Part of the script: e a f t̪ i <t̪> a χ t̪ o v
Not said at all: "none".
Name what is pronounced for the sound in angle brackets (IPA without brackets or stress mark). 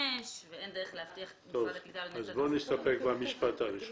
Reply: none